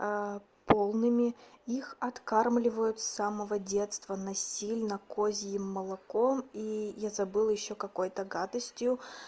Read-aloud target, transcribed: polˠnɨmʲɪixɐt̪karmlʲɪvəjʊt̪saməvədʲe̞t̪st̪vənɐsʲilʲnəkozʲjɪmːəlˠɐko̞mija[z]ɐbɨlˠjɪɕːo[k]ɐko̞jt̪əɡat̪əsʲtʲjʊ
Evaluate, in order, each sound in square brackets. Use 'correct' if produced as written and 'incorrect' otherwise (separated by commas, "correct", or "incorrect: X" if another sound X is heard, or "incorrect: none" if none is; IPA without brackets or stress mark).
correct, correct